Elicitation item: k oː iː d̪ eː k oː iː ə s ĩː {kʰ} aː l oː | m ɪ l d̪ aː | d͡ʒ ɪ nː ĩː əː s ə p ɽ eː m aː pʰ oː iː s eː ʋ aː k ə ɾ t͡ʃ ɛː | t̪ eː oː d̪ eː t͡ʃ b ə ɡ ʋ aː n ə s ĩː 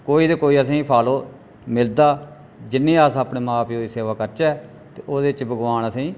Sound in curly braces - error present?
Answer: yes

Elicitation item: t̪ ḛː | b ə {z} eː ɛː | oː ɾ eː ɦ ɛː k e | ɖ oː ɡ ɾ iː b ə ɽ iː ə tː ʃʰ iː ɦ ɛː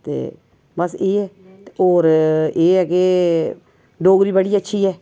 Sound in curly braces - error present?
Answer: yes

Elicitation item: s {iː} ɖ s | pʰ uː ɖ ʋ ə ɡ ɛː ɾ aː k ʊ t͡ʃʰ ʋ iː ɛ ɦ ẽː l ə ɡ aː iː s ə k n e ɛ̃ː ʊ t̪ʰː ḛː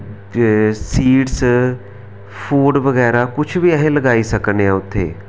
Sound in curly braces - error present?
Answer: no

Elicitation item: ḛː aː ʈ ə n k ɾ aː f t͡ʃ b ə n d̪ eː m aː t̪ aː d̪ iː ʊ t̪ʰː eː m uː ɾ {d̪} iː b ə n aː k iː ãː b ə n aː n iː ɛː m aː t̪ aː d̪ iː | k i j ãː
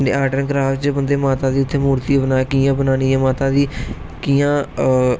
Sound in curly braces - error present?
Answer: yes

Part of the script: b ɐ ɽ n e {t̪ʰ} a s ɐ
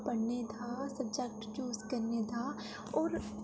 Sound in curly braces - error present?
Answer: no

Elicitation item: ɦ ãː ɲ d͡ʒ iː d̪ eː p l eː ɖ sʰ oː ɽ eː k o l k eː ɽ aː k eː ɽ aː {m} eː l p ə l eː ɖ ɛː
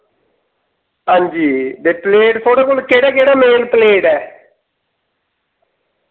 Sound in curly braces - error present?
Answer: no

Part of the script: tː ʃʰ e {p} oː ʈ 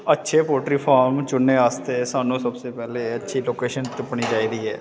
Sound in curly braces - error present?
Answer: no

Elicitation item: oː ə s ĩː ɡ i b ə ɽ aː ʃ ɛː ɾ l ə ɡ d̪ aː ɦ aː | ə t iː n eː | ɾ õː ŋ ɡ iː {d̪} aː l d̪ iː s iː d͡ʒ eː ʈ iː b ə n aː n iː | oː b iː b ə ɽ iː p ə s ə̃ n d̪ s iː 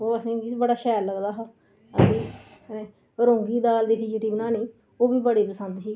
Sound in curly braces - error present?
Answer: no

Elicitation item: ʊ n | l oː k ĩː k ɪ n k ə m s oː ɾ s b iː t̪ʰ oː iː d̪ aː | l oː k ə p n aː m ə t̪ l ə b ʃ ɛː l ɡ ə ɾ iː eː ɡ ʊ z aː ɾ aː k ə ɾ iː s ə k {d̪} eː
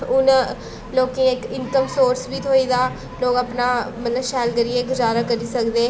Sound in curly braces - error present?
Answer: no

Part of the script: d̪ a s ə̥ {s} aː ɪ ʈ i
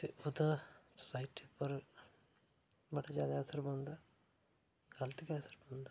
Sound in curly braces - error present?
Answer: no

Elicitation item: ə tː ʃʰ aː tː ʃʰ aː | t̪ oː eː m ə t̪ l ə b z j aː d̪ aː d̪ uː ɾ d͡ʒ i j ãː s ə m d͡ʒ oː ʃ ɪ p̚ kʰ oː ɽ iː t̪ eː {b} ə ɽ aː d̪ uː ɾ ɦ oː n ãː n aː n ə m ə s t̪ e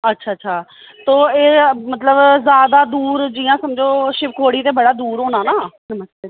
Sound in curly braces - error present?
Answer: no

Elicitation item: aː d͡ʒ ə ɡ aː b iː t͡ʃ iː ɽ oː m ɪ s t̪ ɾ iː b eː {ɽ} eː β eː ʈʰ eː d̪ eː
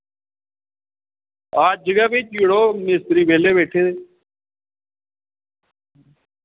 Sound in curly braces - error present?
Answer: yes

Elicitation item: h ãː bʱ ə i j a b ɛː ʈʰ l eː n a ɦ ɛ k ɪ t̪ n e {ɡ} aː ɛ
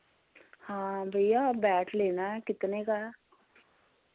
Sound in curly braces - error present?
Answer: yes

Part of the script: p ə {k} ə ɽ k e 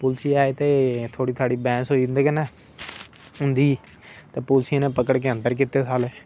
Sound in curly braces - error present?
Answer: no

